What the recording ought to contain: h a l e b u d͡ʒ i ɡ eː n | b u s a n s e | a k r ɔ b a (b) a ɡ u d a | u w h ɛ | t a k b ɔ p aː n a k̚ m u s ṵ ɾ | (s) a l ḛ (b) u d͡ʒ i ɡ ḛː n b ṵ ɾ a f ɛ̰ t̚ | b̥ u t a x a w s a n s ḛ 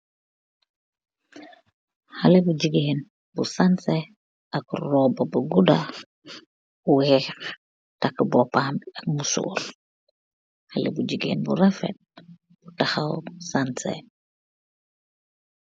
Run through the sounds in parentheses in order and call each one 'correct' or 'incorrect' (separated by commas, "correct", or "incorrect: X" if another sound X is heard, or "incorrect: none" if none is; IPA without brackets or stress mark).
correct, incorrect: h, correct